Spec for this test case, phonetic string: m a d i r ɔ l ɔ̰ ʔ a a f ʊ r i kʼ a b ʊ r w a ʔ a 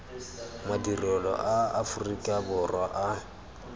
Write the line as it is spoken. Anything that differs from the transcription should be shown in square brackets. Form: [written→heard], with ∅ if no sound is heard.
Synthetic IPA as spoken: m a d i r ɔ l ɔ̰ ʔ a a f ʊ r i kʼ a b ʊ r w a ʔ a